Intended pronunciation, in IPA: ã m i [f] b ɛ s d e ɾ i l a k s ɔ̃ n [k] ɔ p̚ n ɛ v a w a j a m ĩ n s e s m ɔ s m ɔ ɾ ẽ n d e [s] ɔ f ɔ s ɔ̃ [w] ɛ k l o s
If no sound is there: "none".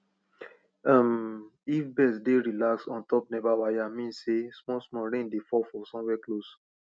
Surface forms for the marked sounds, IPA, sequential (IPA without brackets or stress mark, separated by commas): f, t, f, w